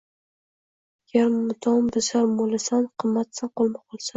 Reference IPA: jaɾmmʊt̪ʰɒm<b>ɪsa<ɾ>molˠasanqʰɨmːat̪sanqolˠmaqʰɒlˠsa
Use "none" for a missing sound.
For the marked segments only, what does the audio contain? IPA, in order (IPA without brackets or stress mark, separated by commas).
b, ɾ